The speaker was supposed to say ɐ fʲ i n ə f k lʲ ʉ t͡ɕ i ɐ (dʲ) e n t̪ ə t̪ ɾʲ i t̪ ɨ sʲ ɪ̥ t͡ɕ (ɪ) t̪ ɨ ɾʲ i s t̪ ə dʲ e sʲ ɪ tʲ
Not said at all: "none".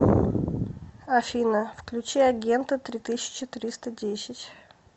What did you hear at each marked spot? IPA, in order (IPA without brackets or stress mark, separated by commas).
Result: ɡʲ, ɪ